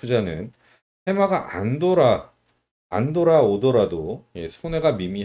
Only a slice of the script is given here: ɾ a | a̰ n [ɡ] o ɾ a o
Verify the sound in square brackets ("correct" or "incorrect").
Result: incorrect